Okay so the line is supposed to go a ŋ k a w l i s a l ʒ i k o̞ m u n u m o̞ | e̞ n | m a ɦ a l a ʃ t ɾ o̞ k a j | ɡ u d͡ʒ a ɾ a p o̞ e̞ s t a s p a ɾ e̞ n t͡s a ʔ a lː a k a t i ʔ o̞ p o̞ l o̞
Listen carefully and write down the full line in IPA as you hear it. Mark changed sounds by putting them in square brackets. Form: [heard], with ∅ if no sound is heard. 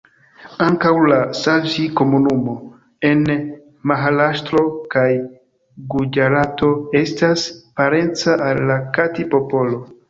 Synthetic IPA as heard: a ŋ k a w l [a] s a l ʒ i k o̞ m u n u m o̞ | e̞ n | m a ɦ a l a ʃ t ɾ o̞ k a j | ɡ u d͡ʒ a ɾ a [t] o̞ e̞ s t a s p a ɾ e̞ n t͡s a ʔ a lː a k a t i [p] o̞ p o̞ l o̞